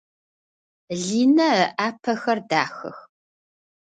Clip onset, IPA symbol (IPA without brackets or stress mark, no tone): ɮ